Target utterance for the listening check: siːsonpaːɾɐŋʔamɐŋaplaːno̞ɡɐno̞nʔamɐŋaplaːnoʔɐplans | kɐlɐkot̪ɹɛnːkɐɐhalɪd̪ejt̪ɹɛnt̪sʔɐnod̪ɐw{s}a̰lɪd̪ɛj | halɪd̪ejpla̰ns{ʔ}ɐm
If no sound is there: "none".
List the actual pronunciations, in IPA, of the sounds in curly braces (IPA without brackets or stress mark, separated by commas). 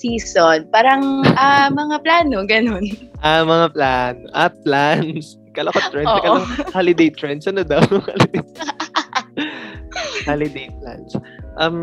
h, ʔ